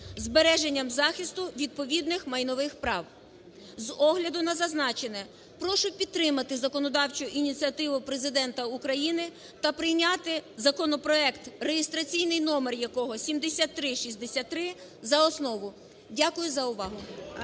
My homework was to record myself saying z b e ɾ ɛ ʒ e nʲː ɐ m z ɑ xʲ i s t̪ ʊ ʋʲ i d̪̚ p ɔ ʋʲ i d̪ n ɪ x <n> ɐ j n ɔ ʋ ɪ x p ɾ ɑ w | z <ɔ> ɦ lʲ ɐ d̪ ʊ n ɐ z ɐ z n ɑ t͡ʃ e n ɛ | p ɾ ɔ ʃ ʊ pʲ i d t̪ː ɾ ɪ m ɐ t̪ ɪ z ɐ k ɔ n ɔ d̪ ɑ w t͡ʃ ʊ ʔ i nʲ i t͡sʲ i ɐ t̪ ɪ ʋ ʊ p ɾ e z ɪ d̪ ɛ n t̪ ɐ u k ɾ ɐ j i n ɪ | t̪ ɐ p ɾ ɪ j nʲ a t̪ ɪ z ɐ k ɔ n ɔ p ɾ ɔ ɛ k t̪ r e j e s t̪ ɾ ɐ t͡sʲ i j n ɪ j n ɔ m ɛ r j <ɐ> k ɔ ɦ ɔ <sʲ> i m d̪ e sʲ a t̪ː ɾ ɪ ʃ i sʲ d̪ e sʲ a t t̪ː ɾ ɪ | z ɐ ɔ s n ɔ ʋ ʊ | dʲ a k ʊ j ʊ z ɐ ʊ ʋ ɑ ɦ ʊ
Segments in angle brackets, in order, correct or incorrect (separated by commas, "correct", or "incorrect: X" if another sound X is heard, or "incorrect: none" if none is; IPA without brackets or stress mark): incorrect: m, correct, correct, correct